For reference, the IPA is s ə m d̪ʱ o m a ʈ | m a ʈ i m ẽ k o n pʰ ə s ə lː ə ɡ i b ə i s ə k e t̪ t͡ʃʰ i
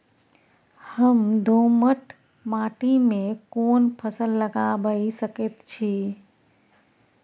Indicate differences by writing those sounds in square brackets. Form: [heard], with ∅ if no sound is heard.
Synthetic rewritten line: [h] ə m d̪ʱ o m [ə] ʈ | m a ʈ i m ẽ k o n pʰ ə s ə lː ə ɡ [a] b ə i s ə k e t̪ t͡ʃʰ i